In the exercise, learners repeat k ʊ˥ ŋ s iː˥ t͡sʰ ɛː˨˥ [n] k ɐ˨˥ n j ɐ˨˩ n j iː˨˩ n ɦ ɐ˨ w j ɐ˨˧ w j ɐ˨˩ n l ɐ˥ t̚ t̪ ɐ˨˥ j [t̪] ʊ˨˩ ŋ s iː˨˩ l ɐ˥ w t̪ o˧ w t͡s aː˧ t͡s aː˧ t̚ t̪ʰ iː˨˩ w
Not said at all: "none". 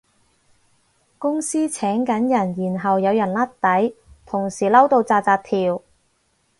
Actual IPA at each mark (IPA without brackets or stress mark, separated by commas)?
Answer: ŋ, t̪ʰ